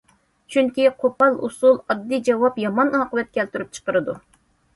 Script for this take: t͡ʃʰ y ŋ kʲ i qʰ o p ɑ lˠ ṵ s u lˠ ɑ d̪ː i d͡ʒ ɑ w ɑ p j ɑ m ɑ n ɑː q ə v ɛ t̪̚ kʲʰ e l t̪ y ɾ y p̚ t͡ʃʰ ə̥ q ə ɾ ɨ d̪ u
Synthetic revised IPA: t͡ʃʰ y ŋ kʲ i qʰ o p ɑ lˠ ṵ s u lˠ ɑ d̪ː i d͡ʒ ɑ w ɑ p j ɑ m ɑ n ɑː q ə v ɛ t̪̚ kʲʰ ɛ l t̪ y ɾ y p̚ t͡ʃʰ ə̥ q ə ɾ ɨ d̪ u